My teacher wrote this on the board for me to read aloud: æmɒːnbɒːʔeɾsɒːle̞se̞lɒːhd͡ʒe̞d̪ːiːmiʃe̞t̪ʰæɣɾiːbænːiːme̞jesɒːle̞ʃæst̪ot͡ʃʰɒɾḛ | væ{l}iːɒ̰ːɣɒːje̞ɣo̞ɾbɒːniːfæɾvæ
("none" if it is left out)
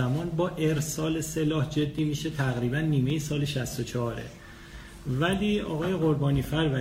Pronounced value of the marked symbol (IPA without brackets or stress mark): l